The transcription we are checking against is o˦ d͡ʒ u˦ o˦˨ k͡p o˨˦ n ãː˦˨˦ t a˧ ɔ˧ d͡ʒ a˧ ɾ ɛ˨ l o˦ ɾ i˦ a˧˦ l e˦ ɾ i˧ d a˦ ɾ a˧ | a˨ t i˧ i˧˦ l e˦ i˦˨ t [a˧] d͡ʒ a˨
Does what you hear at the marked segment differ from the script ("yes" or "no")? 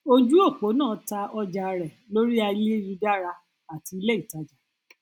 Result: no